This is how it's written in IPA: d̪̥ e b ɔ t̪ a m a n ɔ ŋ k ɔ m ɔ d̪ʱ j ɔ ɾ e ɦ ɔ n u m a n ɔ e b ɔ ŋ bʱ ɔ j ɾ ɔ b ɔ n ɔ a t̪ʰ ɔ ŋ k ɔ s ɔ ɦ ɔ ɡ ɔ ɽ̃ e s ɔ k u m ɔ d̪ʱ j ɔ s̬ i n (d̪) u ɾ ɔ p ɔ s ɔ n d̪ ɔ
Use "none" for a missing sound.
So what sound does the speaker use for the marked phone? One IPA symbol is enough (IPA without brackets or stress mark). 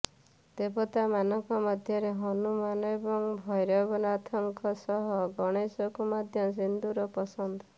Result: d̪